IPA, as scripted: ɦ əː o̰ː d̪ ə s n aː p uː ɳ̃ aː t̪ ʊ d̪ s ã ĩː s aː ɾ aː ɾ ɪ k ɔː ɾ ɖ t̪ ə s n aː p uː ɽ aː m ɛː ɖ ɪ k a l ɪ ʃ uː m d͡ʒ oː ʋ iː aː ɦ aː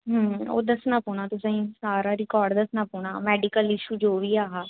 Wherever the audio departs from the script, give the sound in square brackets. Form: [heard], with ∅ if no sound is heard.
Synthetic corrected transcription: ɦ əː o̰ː d̪ ə s n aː p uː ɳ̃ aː t̪ ʊ [∅] s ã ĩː s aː ɾ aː ɾ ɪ k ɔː ɾ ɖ [d̪] ə s n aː p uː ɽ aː m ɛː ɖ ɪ k [ə] l ɪ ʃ uː [∅] d͡ʒ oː ʋ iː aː ɦ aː